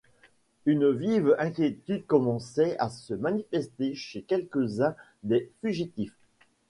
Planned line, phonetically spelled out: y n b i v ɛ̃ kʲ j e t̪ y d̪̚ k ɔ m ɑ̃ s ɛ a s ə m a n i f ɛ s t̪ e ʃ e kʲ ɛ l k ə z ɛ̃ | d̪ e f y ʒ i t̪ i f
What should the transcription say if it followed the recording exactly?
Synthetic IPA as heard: y n v i v ɛ̃ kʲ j e t̪ y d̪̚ k ɔ m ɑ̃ s ɛ a s ə m a n i f ɛ s t̪ e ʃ e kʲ ɛ l k ə z ɛ̃ | d̪ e f y ʒ i t̪ i f